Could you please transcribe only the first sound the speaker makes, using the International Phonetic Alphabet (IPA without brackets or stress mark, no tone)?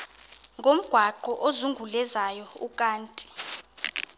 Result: ŋ